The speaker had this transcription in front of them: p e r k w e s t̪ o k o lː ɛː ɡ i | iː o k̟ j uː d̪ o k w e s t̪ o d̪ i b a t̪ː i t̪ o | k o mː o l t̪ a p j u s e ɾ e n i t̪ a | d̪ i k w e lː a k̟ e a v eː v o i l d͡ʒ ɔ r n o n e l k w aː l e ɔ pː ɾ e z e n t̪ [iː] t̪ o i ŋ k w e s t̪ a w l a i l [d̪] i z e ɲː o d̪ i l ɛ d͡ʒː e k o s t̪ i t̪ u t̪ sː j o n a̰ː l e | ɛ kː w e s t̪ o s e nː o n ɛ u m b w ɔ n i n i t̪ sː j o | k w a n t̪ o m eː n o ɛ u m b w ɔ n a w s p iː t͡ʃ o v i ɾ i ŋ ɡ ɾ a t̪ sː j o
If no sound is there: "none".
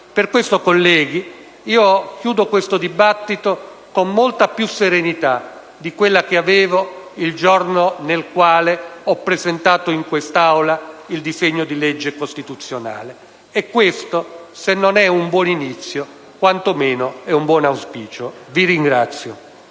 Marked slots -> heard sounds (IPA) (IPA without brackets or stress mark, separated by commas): aː, d̪